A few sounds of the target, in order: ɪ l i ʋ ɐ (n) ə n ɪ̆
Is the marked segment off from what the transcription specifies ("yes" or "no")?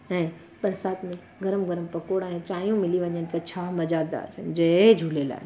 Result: yes